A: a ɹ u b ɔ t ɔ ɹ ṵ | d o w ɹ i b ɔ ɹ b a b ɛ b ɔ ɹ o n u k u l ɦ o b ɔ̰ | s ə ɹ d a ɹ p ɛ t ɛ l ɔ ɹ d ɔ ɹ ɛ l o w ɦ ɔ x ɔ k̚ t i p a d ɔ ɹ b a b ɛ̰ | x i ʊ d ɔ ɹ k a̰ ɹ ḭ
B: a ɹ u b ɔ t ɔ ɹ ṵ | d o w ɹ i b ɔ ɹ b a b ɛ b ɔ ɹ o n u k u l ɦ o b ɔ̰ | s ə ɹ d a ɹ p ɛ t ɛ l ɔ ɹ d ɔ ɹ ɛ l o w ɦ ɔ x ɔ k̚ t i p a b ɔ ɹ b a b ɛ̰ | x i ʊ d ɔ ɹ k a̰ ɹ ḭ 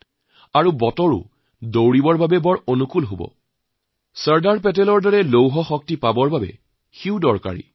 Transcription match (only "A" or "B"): B